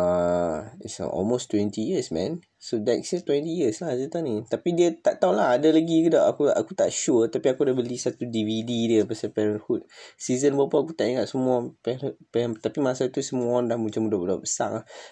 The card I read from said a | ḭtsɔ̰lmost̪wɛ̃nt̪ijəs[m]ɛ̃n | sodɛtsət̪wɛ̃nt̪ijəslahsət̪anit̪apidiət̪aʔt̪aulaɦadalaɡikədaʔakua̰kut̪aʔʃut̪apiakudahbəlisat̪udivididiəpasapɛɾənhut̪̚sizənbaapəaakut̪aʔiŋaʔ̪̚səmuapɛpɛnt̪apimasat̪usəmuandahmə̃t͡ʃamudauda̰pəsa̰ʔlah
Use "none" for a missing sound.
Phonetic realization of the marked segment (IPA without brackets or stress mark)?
m